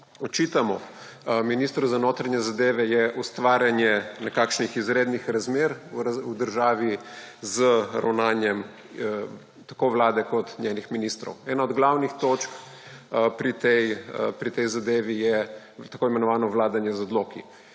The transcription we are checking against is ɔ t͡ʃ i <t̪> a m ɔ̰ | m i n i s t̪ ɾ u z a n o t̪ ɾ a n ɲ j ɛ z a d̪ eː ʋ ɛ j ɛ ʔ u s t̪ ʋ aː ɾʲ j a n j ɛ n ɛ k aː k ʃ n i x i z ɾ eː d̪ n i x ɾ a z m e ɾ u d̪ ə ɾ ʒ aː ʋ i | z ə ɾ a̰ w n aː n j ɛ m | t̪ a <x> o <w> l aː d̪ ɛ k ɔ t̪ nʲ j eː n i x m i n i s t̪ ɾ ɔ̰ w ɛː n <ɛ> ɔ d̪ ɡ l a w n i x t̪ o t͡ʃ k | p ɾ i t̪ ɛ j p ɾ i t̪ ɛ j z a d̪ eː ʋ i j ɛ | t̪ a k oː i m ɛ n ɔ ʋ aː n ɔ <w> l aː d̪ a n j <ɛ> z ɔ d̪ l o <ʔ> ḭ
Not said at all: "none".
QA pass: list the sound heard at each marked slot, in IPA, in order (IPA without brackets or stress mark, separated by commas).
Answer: t̪, k, ʋ, a, ʋ, ɛ, k